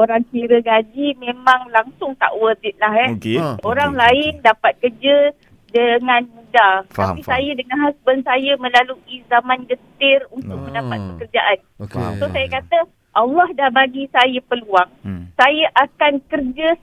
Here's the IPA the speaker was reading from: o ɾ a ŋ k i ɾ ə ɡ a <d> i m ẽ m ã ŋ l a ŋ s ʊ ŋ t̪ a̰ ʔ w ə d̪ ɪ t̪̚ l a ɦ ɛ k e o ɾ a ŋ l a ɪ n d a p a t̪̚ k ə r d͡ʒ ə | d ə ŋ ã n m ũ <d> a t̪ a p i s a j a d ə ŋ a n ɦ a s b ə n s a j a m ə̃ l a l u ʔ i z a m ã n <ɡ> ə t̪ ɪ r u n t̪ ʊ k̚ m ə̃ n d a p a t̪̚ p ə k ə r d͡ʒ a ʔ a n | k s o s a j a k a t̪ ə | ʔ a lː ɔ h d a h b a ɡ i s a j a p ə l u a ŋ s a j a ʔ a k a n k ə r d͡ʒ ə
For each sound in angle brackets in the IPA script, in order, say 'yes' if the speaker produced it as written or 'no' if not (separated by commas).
no, yes, yes